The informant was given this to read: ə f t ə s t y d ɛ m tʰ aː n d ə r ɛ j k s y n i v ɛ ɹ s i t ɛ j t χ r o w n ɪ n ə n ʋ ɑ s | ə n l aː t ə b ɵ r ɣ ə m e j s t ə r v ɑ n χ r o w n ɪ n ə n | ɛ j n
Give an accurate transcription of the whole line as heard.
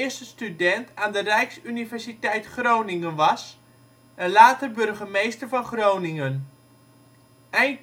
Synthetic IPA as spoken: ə s t ə s t y d ɛ n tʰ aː n d ə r ɛ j k s y n i v ɛ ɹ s i t ɛ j t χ r o w n ɪ ŋ ə n ʋ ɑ s | ə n l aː t ə b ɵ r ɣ ə m e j s t ə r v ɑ n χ r o w n ɪ ŋ ə n | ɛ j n

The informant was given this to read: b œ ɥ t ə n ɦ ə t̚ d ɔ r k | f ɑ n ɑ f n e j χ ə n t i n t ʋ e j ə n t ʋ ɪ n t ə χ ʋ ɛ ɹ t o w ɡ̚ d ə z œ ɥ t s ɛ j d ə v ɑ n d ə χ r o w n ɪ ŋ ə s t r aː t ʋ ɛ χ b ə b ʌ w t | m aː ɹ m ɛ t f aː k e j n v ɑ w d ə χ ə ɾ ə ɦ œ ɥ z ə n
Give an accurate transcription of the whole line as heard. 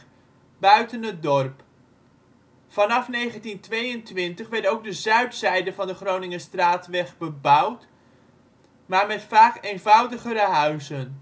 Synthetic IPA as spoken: b œ ɥ t ə n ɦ ə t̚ d ɔ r p | f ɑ n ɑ f n e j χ ə n t i n t ʋ e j ə n t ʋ ɪ n t ə χ ʋ ɛ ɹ t o w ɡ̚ d ə z œ ɥ t s ɛ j d ə v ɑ n d ə χ r o w n ɪ ŋ ə s t r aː t ʋ ɛ χ b ə b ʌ w t | m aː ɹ m ɛ t f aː k e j n v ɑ w d ə χ ə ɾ ə ɦ œ ɥ z ə n

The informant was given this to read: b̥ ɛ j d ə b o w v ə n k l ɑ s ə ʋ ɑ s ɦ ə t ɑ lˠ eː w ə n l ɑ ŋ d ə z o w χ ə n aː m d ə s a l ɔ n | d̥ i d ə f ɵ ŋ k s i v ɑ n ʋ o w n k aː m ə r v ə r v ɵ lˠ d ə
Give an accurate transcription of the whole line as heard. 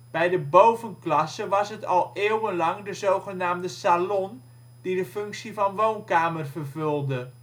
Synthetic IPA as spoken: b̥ ɛ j d ə b o w v ə n k l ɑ s ə ʋ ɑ s ɦ ə t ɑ lˠ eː w ə n l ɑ ŋ d ə z o w χ ə n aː m d ə s a l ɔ n | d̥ i d ə f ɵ ŋ k s i v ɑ n ʋ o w n k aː m ə r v ə r v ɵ lˠ d ə

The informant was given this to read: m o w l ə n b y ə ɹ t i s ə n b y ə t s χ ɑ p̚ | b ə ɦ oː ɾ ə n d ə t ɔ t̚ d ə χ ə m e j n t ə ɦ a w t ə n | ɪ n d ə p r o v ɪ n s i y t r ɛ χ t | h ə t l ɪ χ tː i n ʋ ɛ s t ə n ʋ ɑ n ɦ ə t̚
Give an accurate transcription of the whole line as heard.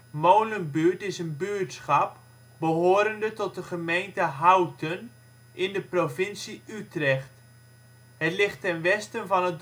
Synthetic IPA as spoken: m o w l ə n b y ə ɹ t ɪ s ə n b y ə t s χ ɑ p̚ | b ə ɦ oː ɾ ə n d ə t ɔ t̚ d ə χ ə m e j n t ə ɦ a w t ə n | ɪ n d ə p r o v ɪ n s i y t r ɛ χ t | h ə t l ɪ χ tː ɛ n ʋ ɛ s t ə n v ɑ n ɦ ə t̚

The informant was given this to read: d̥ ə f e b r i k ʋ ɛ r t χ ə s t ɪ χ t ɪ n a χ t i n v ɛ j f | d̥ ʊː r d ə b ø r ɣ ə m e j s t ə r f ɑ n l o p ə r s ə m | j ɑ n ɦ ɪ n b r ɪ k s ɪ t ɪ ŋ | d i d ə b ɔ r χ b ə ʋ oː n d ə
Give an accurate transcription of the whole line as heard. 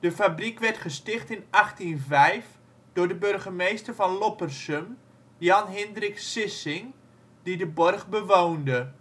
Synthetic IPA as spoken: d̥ ə f a b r i k ʋ ɛ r t χ ə s t ɪ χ t ɪ n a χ t i n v ɛ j f | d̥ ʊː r d ə b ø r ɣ ə m e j s t ə r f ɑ n l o p ə r s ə m | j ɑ n ɦ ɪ n d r ɪ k s ɪ s ɪ ŋ | d i d ə b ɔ r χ b ə ʋ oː n d ə

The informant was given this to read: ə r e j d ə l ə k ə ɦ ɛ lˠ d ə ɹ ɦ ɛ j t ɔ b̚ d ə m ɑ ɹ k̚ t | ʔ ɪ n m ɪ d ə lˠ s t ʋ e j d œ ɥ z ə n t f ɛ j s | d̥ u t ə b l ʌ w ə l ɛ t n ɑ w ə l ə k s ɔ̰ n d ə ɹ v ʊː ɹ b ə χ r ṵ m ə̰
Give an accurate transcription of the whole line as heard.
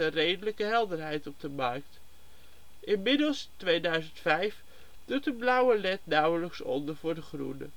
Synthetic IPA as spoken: ə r e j d ə l ə k ə ɦ ɛ lˠ d ə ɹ ɦ ɛ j t ɔ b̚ d ə m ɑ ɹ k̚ t | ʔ ɪ n m ɪ d ə lˠ s t ʋ e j d œ ɥ z ə n t f ɛ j f | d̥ u t ə b l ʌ w ə l ɛ t n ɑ w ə l ə k s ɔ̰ n d ə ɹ v ʊː ɹ d ə χ r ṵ n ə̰

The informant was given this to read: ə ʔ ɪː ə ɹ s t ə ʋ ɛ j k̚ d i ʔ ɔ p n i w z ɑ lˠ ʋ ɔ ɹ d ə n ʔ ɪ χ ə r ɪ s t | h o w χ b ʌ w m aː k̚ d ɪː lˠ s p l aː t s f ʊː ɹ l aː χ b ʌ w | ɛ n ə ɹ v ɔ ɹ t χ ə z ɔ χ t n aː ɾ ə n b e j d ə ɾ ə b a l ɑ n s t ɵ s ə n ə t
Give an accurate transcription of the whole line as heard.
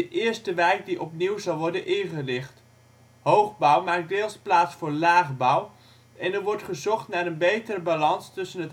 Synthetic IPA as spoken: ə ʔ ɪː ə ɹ s t ə ʋ ɛ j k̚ d i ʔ ɔ p n i w z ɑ lˠ ʋ ɔ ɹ d ə n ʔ ɪ χ ə r ɪ χ t | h o w χ b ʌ w m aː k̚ d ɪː lˠ s p l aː t s f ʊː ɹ l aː χ b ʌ w | ɛ n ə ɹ ʋ ɔ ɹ t χ ə z ɔ χ t n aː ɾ ə n b e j t ə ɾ ə b a l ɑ n s t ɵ s ə n ə t

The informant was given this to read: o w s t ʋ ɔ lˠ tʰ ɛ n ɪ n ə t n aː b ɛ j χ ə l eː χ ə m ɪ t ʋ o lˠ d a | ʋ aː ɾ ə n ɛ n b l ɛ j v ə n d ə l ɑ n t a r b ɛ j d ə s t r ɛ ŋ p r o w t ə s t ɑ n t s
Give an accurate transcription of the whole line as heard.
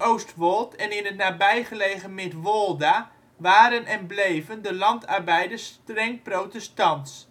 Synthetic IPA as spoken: o w s t ʋ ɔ lˠ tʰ ɛ n ɪ n ə t n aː b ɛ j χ ə l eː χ ə m ɪ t ʋ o lˠ d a | ʋ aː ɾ ə n ɛ n b l e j v ə n d ə l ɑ n t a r b ɛ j d ə s t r ɛ ŋ p r o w t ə s t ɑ n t s

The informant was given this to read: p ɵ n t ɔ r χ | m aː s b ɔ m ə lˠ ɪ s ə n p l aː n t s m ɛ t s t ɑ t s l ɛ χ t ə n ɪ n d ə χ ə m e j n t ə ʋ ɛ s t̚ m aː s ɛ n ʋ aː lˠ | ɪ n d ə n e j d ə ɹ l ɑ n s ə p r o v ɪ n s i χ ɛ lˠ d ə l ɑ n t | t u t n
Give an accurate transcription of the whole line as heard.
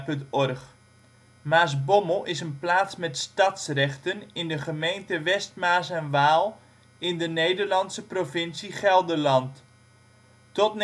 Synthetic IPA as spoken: p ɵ n t ɔ r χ | m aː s b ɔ m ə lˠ ɪ s ə n p l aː t s m ɛ t s t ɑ t s r ɛ χ t ə n ɪ n d ə χ ə m e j n t ə ʋ ɛ s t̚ m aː s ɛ n ʋ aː lˠ | ɪ n d ə n e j d ə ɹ l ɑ n s ə p r o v ɪ n s i χ ɛ lˠ d ə l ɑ n t | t ɔ t n

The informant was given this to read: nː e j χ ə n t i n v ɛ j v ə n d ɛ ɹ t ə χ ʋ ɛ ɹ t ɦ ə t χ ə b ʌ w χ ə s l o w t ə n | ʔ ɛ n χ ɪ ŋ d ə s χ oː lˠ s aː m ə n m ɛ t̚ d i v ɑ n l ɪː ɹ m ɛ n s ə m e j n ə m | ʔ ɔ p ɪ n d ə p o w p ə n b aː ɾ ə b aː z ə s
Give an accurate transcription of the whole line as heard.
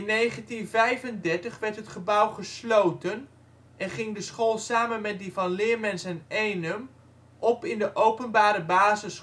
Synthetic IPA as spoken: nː e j χ ə n t i n v ɛ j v ə n d ɛ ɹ t ə χ ʋ ɛ ɹ t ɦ ə t χ ə b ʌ w χ ə s l o w t ə n | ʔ ɛ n χ ɪ ŋ d ə s χ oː lˠ s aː m ə n m ɛ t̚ d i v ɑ n l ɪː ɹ m ɛ n s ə n e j n ə m | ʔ ɔ p ɪ n d ə ʔ o w p ə n b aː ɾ ə b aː z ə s

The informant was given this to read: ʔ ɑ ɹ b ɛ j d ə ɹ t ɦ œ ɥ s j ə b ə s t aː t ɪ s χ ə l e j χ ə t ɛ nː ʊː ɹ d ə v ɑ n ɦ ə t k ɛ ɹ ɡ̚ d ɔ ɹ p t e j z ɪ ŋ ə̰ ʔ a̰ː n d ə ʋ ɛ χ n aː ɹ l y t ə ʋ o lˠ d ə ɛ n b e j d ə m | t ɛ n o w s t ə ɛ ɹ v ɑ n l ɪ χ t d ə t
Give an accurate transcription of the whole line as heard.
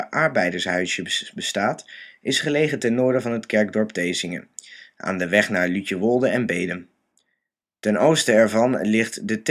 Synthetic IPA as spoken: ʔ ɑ ɹ b ɛ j d ə ɹ s ɦ œ ɥ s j ə b ə s t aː t ɪ s χ ə l e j χ ə t ɛ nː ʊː ɹ d ə v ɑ n ɦ ə t k ɛ ɹ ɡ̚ d ɔ ɹ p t e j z ɪ ŋ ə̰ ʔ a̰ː n d ə ʋ ɛ χ n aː ɹ l y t ə ʋ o lˠ d ə ɛ n b e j d ə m | t ɛ n o w s t ə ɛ ɹ v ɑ n l ɪ χ t d ə t

